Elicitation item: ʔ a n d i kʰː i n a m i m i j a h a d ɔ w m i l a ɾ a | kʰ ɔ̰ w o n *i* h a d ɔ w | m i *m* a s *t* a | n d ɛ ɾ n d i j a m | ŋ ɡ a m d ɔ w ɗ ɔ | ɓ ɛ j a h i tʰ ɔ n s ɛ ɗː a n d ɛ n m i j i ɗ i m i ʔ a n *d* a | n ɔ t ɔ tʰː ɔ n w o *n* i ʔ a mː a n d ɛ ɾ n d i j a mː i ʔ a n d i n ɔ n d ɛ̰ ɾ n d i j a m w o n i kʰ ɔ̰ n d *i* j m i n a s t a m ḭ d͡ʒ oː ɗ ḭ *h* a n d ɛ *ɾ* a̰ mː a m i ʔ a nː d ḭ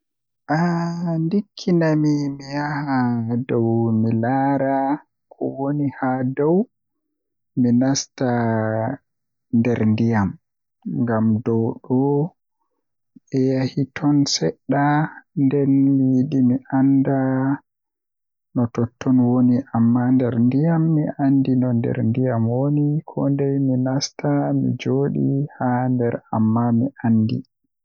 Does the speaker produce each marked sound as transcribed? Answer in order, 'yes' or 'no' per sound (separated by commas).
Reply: yes, no, yes, yes, yes, no, yes, yes